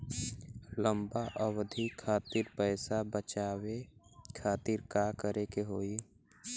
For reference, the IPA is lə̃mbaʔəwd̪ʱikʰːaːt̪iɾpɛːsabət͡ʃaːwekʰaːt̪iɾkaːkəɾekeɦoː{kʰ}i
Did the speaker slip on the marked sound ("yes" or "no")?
yes